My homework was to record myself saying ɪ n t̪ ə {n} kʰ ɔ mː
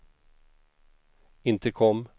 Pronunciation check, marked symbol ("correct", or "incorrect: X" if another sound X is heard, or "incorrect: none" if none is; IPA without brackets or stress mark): incorrect: none